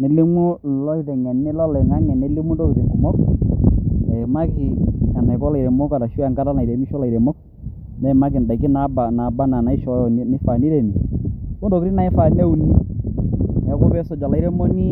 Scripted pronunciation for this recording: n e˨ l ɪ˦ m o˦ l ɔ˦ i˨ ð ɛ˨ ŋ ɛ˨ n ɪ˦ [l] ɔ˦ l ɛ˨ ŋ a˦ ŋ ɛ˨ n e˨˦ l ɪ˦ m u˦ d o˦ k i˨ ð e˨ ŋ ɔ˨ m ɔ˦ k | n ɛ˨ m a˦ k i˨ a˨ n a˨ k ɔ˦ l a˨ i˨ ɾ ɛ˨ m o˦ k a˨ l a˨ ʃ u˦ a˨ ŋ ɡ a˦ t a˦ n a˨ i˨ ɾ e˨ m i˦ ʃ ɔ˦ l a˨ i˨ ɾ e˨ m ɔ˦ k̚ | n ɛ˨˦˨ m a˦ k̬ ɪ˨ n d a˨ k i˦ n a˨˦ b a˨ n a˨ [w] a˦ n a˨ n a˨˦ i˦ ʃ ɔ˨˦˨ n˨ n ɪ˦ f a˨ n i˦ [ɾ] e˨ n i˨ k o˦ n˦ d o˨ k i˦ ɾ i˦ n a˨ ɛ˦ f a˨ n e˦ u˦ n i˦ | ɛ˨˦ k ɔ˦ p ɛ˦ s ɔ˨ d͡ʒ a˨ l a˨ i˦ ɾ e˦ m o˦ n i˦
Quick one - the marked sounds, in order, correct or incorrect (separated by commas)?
correct, incorrect, correct